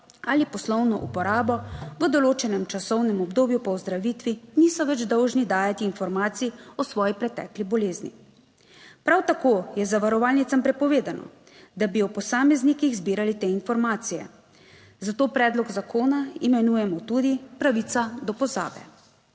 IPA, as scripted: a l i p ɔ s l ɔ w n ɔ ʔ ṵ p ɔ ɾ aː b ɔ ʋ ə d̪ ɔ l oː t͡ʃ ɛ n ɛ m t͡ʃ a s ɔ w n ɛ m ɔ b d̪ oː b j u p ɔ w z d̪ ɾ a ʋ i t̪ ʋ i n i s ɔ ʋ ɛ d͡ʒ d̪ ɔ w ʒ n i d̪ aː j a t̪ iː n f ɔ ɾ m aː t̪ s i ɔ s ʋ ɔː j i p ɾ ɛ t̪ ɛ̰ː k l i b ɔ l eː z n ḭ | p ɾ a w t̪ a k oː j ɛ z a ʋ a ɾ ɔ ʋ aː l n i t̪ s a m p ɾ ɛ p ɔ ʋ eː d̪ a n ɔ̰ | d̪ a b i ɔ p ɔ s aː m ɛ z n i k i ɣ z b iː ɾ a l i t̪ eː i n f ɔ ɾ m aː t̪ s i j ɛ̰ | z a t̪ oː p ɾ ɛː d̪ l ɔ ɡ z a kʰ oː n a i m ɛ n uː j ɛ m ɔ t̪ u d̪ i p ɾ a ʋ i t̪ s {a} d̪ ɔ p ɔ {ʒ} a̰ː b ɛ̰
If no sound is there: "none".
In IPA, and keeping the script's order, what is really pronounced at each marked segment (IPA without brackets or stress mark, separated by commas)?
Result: a, z